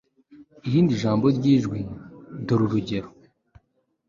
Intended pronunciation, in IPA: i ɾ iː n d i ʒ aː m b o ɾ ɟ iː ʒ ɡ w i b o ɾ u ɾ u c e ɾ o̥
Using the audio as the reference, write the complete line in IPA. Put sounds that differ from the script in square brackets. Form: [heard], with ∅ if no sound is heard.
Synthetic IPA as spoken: i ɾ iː n d i ʒ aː m b o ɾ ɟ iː ʒ ɡ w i [d] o ɾ u ɾ u [ɟ] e ɾ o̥